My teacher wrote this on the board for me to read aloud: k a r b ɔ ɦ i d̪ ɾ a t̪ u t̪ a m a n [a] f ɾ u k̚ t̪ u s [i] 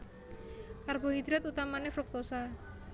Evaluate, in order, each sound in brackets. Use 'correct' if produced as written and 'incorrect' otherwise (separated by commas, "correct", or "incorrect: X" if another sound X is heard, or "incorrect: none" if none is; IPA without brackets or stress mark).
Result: incorrect: e, incorrect: a